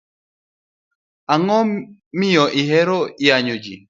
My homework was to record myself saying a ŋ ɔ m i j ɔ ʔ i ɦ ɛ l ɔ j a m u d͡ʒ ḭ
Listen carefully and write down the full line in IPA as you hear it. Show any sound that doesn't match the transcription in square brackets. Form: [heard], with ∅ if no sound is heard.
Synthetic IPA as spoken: a ŋ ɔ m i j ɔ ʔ i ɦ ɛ [ɾ] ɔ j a [ɲ] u d͡ʒ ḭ